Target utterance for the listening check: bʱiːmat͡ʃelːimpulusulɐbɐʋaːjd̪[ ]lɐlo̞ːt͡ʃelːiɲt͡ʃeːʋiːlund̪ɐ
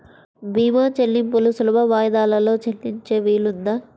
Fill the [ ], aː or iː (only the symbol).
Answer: aː